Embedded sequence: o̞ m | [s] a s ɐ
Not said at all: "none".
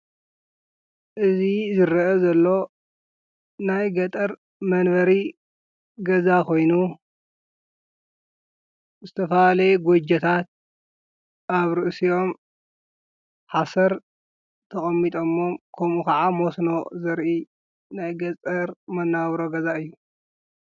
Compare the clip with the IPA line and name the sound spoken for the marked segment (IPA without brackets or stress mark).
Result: ħ